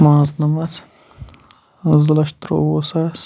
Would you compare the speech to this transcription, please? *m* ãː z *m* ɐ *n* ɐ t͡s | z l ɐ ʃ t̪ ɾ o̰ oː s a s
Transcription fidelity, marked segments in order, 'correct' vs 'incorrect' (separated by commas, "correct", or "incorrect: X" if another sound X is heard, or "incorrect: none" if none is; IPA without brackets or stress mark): correct, incorrect: n, incorrect: m